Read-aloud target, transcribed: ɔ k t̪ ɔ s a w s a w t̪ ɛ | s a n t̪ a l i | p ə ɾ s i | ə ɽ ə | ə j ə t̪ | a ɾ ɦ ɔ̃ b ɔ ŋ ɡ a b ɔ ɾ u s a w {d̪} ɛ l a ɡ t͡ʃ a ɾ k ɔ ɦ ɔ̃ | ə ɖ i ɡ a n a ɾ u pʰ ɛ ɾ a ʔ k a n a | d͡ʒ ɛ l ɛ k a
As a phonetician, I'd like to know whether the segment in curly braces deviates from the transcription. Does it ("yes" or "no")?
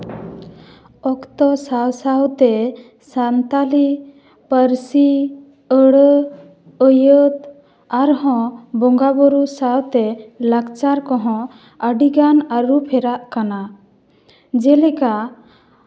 yes